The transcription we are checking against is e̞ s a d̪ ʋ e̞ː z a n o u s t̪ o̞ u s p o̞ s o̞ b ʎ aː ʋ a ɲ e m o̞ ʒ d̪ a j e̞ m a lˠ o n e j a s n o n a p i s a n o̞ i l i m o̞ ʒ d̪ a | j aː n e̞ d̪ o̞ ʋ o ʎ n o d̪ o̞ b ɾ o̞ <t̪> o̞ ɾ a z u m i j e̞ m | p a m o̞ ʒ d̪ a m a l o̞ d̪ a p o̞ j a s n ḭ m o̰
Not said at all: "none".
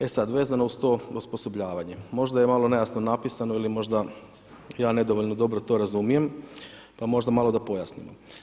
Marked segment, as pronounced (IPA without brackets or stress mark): t̪